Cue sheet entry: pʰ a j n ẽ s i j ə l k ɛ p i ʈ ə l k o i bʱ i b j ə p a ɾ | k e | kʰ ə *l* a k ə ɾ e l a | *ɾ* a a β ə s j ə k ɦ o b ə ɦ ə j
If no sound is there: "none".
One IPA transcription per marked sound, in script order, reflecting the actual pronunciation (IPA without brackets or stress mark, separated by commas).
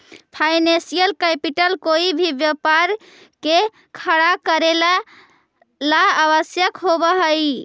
ɽ, l